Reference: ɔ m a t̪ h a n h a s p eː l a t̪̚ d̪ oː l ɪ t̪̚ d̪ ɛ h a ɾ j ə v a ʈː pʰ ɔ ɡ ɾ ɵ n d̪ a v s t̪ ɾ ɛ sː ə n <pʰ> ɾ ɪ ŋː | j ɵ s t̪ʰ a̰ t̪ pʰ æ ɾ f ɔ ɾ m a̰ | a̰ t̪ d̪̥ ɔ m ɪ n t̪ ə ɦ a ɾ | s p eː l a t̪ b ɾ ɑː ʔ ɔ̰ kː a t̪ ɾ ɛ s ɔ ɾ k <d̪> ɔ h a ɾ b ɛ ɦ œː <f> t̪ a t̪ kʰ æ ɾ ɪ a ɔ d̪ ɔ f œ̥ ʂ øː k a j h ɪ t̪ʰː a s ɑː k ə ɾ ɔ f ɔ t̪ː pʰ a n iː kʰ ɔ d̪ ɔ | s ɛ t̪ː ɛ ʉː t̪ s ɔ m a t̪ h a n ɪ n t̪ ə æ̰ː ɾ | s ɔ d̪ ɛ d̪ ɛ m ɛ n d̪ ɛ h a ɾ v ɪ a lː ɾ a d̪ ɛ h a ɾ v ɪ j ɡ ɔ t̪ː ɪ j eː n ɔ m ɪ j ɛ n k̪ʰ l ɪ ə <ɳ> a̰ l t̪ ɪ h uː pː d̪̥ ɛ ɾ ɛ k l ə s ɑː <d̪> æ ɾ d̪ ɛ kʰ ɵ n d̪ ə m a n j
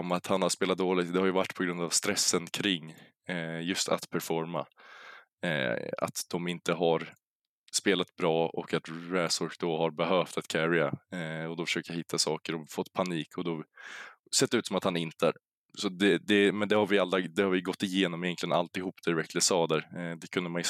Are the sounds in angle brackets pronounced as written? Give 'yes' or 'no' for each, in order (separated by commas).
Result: no, yes, yes, no, yes